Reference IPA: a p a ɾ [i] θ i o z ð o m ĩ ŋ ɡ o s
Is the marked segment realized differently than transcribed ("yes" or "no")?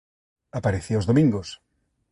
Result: yes